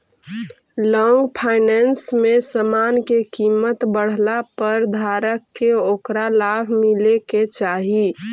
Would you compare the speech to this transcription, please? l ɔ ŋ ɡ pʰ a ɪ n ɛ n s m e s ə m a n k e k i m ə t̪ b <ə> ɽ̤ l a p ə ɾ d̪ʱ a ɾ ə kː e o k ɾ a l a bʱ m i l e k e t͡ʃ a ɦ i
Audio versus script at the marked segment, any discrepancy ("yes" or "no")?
no